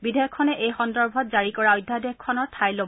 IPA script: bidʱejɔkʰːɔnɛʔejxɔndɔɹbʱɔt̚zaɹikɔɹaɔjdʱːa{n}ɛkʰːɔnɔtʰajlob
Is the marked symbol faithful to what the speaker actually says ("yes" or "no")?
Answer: no